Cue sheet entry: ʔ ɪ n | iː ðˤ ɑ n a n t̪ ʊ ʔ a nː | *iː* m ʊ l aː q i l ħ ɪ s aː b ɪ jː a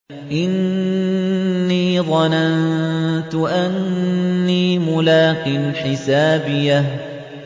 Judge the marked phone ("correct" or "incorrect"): correct